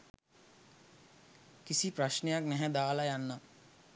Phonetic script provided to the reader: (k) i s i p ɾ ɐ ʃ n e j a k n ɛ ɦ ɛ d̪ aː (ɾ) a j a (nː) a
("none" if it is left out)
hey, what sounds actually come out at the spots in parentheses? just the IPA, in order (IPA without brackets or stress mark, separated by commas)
k, l, nː